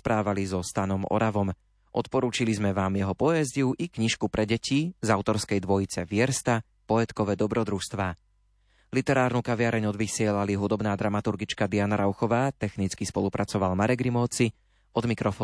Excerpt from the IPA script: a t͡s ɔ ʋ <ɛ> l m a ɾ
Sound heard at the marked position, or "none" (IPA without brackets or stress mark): a